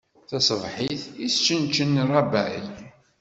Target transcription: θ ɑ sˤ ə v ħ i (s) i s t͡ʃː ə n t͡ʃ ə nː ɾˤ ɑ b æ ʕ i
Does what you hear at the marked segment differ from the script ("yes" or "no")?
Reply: yes